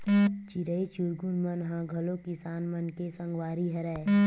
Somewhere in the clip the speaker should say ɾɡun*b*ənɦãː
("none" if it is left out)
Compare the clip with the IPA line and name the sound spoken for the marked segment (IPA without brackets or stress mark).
m